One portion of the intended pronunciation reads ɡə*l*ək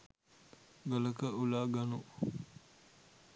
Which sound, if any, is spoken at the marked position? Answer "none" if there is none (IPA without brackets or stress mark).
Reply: l